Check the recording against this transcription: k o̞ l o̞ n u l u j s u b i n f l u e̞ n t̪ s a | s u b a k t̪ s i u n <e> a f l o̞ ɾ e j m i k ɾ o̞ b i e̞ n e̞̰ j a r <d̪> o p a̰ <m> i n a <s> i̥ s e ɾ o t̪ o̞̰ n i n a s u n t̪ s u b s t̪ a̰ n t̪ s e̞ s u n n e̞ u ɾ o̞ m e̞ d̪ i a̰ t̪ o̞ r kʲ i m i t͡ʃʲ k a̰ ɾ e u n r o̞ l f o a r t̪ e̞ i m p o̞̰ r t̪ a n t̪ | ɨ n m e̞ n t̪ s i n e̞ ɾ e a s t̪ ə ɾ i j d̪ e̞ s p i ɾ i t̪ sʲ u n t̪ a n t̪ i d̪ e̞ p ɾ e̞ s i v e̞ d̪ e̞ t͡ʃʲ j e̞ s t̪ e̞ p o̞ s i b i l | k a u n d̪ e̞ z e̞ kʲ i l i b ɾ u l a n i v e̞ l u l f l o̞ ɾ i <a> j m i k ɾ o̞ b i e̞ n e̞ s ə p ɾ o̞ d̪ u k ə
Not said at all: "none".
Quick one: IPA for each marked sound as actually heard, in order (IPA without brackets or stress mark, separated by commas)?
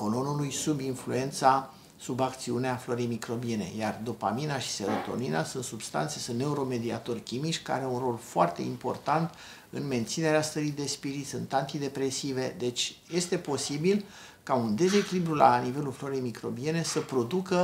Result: e, d̪, m, ʃ, e